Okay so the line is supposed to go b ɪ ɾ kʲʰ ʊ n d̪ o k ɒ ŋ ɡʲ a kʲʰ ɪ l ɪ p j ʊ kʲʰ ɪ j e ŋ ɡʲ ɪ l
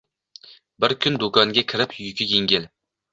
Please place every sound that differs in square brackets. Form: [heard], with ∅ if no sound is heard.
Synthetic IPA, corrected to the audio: b ɪ ɾ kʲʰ ʊ n d̪ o k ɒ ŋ ɡʲ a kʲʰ ɪ [ɾ] ɪ p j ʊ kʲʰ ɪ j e ŋ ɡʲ ɪ l